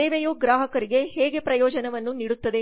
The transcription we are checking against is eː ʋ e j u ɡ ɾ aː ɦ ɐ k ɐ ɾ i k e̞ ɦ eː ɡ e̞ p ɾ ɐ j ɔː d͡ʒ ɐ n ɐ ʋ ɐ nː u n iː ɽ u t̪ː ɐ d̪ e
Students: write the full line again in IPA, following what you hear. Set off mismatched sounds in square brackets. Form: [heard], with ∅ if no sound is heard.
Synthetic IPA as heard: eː ʋ e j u ɡ ɾ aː ɦ ɐ k ɐ ɾ i [ɡ] e̞ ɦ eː ɡ e̞ p ɾ ɐ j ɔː d͡ʒ ɐ n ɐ ʋ ɐ nː u n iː ɽ u t̪ː ɐ d̪ e